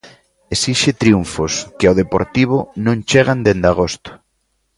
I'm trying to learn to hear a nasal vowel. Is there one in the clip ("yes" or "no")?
yes